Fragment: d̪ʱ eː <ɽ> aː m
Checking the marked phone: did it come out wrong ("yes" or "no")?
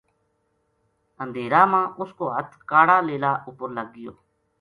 yes